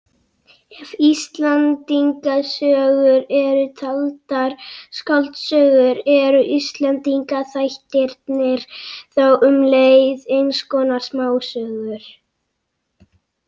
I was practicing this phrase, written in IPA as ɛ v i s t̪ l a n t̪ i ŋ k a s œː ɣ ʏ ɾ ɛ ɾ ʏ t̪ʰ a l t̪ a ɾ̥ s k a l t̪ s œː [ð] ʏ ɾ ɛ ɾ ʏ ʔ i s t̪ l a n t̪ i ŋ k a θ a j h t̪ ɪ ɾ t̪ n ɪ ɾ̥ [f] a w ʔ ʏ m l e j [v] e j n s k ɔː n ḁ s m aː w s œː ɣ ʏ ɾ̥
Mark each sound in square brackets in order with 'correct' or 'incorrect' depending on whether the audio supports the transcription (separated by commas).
incorrect, incorrect, incorrect